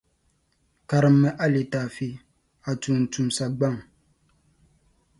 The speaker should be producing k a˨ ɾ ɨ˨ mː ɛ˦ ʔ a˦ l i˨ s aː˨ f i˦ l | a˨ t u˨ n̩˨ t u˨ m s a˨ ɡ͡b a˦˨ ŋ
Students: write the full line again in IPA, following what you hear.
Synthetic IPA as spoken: k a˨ ɾ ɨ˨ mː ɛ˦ ʔ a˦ l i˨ t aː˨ f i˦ | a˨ t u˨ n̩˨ t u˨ m s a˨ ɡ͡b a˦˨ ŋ